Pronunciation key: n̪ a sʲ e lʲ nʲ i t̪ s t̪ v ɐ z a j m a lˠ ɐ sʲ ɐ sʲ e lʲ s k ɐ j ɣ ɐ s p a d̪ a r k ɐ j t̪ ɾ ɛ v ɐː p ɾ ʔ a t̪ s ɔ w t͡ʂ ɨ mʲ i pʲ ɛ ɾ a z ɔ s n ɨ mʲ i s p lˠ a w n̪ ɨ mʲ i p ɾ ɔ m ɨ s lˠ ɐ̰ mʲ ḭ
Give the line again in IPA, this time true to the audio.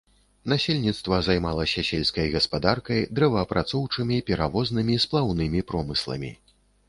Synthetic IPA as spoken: n̪ a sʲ e lʲ nʲ i t̪ s t̪ v ɐ z a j m a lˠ ɐ sʲ ɐ sʲ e lʲ s k ɐ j ɣ ɐ s p a d̪ a r k ɐ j d̪ ɾ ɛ v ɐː p ɾ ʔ a t̪ s ɔ w t͡ʂ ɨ mʲ i pʲ ɛ ɾ a v ɔ z n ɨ mʲ i s p lˠ a w n̪ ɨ mʲ i p ɾ ɔ m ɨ s lˠ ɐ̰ mʲ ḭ

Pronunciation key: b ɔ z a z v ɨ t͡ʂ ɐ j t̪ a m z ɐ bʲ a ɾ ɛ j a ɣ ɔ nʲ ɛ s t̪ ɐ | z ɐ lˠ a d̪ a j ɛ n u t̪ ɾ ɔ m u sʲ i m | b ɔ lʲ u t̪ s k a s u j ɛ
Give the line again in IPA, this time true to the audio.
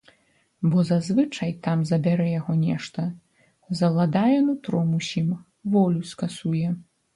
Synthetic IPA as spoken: b ɔ z a z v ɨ t͡ʂ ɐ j t̪ a m z ɐ bʲ a ɾ ɛ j a ɣ ɔ nʲ ɛ ʂ t̪ ɐ | z ɐ lˠ a d̪ a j ɛ n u t̪ ɾ ɔ m u sʲ i m | v ɔ lʲ u s k a s u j ɛ

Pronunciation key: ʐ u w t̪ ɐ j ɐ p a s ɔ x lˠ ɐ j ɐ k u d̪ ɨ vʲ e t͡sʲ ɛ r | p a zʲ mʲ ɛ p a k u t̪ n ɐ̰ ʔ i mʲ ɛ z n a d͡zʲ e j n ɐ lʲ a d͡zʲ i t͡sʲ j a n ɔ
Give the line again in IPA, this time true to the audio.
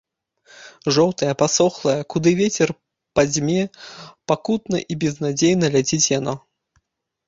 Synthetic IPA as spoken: ʐ ɔ w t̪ ɐ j ɐ p a s ɔ x lˠ ɐ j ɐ k u d̪ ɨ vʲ e t͡sʲ ɛ r | p a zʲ mʲ ɛ p a k u t̪ n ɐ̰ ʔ i bʲ ɛ z n a d͡zʲ e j n ɐ lʲ a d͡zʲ i t͡sʲ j a n ɔ

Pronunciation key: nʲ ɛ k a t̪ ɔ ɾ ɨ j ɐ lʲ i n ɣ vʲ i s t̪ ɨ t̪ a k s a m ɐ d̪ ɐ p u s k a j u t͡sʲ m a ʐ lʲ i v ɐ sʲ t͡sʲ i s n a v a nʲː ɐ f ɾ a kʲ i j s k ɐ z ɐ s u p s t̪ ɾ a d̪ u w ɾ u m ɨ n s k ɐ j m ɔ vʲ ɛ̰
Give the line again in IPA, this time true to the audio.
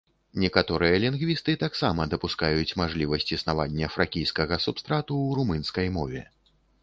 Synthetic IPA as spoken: nʲ ɛ k a t̪ ɔ ɾ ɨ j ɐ lʲ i n ɣ vʲ i s t̪ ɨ t̪ a k s a m ɐ d̪ ɐ p u s k a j u t͡sʲ m a ʐ lʲ i v ɐ sʲ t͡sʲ i s n a v a nʲː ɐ f ɾ a kʲ i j s k ɐ ɣ ɐ s u p s t̪ ɾ a t̪ u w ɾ u m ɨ n s k ɐ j m ɔ vʲ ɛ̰

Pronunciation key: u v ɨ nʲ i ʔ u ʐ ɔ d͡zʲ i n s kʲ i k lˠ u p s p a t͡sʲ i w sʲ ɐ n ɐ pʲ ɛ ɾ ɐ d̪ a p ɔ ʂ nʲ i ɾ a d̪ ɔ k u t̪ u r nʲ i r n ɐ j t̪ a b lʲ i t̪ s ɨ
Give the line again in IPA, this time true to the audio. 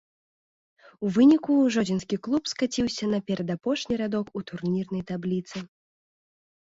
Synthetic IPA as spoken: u v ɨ nʲ i k u ʐ ɔ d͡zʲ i n s kʲ i k lˠ u p s k a t͡sʲ i w sʲ ɐ n ɐ pʲ ɛ ɾ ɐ d̪ a p ɔ ʂ nʲ i ɾ a d̪ ɔ k u t̪ u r nʲ i r n ɐ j t̪ a b lʲ i t̪ s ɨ

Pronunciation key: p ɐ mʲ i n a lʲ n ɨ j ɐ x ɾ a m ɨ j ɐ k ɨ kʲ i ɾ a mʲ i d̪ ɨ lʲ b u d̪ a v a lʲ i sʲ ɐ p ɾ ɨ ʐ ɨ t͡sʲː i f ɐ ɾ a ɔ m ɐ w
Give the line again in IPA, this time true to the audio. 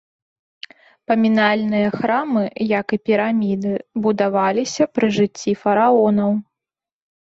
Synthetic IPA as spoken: p ɐ mʲ i n a lʲ n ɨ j ɐ x ɾ a m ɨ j ɐ k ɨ pʲ i ɾ a mʲ i d̪ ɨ b u d̪ a v a lʲ i sʲ ɐ p ɾ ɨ ʐ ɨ t͡sʲː i f ɐ ɾ a ɔ n ɐ w

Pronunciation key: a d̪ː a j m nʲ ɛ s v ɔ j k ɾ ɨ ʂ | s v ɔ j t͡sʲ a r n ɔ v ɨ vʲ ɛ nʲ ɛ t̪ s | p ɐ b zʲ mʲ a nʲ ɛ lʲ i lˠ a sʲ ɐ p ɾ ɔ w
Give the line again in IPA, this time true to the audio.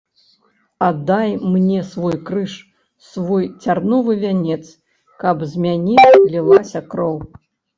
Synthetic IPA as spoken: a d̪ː a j m nʲ ɛ s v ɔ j k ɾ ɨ ʂ | s v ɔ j t͡sʲ a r n ɔ v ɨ vʲ a nʲ ɛ t̪ s | k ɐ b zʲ mʲ a nʲ ɛ lʲ i lˠ a sʲ ɐ k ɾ ɔ w

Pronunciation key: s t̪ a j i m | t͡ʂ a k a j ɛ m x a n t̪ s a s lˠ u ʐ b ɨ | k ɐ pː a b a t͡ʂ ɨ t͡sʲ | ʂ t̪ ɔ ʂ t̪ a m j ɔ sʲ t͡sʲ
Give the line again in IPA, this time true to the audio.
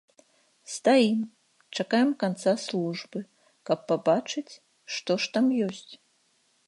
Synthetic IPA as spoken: s t̪ a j i m | t͡ʂ a k a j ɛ m k a n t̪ s a s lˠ u ʐ b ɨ | k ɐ pː a b a t͡ʂ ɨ t͡sʲ | ʂ t̪ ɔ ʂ t̪ a m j ɔ sʲ t͡sʲ

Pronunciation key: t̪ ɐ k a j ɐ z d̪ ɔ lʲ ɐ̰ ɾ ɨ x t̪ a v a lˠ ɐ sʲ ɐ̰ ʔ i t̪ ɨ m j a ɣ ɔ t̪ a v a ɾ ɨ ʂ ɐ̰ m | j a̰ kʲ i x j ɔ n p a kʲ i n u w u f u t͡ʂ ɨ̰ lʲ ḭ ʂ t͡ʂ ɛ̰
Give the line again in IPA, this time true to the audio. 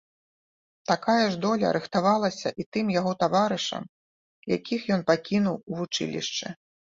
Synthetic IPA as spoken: t̪ a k a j ɐ ʐ d̪ ɔ lʲ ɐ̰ ɾ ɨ x t̪ a v a lˠ ɐ sʲ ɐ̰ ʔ i t̪ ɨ m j a ɣ ɔ t̪ a v a ɾ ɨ ʂ ɐ̰ m | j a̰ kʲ i x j ɔ n p a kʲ i n u w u v u t͡ʂ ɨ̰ lʲ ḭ ʂ t͡ʂ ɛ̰

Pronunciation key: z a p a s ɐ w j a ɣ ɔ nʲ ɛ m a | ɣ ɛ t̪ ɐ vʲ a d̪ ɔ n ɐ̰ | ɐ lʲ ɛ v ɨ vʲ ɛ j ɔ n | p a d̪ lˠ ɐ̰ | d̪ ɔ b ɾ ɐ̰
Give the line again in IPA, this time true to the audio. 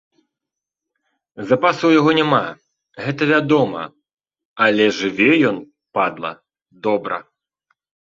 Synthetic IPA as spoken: z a p a s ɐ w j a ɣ ɔ nʲ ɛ m a | ɣ ɛ t̪ ɐ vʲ a d̪ ɔ m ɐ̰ | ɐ lʲ ɛ ʐ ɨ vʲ ɛ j ɔ n | p a d̪ lˠ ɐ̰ | d̪ ɔ b ɾ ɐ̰

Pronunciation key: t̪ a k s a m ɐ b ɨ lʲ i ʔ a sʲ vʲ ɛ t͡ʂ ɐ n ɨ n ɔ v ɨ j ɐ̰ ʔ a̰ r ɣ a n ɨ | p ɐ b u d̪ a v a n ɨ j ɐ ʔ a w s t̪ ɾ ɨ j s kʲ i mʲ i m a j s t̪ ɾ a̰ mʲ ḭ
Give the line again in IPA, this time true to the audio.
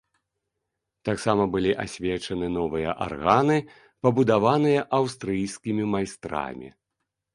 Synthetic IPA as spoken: t̪ a k s a m ɐ b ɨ lʲ i ʔ a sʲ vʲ ɛ t͡ʂ ɐ n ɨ n ɔ v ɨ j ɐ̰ ʔ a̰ r ɣ a n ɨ | p ɐ b u d̪ a v a n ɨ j ɐ ʔ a w s t̪ ɾ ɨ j s kʲ i mʲ i m a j s t̪ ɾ a̰ mʲ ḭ

